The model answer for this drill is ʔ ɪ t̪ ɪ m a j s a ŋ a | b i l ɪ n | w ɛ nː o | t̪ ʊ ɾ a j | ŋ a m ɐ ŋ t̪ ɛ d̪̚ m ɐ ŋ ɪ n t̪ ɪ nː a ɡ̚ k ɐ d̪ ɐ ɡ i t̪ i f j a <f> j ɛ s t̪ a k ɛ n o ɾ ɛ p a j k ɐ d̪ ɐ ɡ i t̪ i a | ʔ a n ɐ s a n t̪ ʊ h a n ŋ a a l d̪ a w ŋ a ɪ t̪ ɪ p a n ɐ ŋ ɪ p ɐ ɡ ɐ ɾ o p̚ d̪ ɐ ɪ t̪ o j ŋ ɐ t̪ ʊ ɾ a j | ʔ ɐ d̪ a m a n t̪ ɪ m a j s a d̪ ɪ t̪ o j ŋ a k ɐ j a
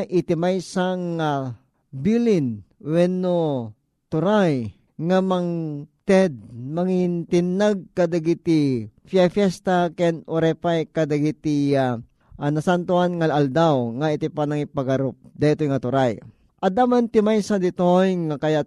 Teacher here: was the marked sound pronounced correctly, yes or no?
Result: yes